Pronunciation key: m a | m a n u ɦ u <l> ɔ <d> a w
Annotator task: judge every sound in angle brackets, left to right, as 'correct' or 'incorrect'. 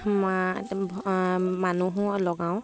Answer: correct, incorrect

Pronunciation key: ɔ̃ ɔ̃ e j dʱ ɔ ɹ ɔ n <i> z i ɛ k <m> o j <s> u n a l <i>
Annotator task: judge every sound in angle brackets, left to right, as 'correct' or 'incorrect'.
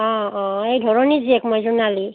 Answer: correct, correct, incorrect, correct

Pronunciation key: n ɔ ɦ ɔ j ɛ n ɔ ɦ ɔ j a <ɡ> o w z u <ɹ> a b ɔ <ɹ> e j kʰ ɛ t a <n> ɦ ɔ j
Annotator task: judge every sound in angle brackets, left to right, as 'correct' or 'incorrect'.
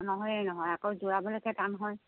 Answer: incorrect, correct, incorrect, correct

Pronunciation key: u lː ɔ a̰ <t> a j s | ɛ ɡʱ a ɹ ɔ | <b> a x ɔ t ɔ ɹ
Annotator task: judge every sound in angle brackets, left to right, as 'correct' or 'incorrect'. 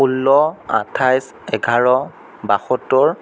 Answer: incorrect, correct

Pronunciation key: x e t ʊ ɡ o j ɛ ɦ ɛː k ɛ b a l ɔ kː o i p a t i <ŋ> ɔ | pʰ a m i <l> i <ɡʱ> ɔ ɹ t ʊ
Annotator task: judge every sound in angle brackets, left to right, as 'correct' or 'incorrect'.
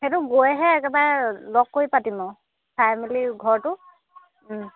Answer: incorrect, correct, correct

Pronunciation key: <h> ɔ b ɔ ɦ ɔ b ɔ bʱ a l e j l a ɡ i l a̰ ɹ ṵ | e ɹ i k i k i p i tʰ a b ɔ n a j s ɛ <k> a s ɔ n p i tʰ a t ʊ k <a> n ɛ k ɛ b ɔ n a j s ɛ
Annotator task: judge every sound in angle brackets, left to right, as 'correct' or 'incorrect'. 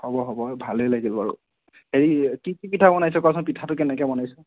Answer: correct, correct, incorrect

